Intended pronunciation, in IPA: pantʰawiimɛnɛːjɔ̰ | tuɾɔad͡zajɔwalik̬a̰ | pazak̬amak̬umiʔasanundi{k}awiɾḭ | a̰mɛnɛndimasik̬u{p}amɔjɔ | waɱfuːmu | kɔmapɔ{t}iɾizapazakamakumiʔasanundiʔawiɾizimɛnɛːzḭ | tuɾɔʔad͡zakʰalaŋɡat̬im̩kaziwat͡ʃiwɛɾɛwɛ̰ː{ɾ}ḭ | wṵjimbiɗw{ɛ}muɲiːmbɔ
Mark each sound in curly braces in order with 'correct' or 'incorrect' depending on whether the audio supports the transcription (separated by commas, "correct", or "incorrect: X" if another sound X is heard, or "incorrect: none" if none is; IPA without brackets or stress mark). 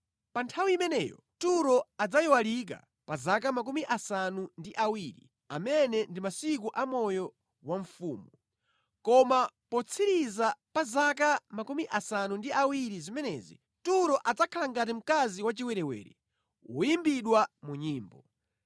incorrect: ʔ, incorrect: ʔ, incorrect: t͡sʰ, correct, incorrect: a